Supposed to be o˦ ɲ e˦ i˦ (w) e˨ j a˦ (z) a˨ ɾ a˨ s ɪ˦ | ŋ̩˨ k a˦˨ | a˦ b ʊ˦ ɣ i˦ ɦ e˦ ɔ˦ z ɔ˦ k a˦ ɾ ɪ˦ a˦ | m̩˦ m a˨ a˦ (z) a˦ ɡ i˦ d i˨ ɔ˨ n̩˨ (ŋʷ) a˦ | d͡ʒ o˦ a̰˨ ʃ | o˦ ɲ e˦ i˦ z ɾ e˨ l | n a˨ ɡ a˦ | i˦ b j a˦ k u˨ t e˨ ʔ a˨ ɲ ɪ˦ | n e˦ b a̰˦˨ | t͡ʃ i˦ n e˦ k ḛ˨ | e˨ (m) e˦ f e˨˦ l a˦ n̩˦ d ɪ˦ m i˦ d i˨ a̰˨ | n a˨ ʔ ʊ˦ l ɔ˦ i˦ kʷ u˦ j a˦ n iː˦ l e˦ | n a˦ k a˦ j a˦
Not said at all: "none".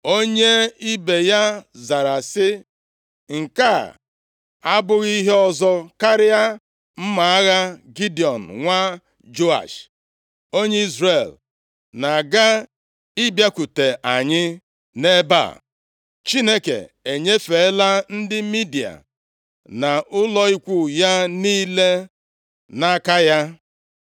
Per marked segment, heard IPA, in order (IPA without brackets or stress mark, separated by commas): b, z, ɣ, ŋʷ, ɲ